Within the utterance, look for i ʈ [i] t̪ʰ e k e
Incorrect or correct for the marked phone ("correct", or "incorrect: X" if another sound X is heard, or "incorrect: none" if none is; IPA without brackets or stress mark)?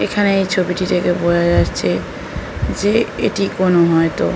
correct